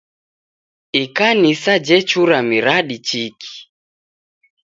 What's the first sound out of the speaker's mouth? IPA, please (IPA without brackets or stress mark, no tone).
i